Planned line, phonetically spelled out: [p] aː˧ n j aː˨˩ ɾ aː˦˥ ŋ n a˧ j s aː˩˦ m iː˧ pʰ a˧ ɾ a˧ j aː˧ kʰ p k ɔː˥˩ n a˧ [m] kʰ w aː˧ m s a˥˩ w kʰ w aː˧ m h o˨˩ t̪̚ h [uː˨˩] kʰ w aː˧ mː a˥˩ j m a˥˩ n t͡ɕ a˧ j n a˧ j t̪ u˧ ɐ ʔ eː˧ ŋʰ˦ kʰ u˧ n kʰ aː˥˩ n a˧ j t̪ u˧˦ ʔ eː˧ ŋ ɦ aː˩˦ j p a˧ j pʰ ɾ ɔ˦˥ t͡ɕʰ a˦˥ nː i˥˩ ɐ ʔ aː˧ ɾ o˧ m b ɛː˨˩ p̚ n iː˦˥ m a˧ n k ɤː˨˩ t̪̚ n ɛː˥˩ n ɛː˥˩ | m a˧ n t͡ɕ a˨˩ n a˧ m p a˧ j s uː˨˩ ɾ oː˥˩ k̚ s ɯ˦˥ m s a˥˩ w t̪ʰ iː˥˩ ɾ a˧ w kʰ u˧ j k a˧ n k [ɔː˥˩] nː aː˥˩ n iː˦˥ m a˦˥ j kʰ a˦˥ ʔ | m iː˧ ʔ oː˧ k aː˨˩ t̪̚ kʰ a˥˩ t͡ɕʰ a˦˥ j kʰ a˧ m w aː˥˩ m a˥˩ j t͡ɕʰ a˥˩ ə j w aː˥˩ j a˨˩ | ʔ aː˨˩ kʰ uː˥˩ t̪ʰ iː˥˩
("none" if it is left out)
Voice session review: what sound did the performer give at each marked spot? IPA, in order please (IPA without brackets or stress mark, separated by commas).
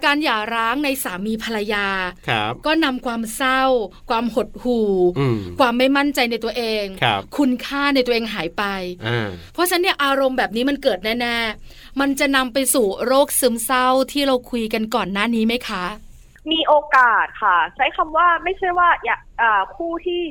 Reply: k, m, uː˨˩, ɔː˨˩